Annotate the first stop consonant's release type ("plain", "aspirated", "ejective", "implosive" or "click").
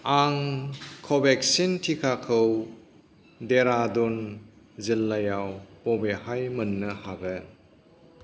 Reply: aspirated